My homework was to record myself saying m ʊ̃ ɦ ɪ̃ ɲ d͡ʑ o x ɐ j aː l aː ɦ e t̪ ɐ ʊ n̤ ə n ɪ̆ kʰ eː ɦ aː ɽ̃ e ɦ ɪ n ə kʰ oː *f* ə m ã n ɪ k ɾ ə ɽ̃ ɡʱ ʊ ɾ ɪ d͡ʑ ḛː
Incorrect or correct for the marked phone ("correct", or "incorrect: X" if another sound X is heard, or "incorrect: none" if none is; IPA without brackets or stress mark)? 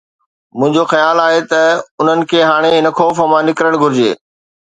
correct